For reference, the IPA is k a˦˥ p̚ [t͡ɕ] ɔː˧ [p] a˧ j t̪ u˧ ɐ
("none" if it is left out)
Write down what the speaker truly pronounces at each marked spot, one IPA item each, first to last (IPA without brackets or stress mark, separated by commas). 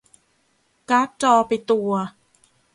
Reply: t͡ɕ, p